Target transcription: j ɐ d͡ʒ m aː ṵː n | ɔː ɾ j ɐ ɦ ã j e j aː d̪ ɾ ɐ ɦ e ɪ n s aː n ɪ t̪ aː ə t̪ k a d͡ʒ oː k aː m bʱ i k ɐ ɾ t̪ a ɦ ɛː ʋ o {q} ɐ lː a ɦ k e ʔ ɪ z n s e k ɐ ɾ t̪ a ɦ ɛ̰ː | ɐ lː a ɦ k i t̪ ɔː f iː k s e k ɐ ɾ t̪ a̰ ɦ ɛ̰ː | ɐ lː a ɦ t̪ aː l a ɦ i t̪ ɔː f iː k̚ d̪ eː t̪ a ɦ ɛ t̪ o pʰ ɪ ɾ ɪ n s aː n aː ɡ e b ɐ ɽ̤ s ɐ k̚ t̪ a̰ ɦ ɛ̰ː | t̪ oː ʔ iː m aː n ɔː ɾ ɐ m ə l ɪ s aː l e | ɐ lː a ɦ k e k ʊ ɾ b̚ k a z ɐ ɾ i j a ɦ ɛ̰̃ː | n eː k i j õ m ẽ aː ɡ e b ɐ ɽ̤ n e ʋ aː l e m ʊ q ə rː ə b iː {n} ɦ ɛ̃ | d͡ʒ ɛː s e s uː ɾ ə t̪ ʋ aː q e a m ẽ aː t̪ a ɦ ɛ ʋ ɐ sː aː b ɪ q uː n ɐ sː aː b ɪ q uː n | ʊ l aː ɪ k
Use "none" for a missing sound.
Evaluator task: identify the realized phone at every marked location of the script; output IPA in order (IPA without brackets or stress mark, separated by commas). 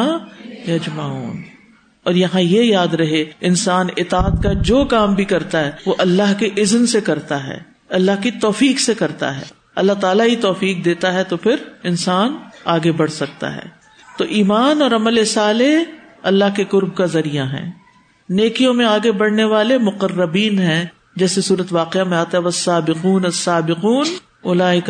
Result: ʔ, n